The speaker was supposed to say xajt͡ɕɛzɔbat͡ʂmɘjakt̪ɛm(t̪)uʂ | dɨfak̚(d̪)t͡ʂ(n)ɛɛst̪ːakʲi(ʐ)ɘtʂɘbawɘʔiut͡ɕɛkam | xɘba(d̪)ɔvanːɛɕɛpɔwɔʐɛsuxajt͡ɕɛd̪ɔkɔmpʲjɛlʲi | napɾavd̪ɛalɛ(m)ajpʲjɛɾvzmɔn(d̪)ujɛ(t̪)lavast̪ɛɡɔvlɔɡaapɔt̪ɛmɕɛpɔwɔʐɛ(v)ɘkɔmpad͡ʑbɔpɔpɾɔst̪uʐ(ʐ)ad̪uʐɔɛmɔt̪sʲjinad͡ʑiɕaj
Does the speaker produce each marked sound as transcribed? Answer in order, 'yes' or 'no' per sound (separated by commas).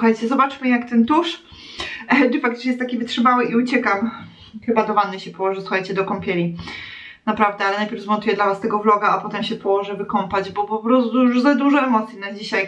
yes, no, no, no, yes, no, no, no, yes, no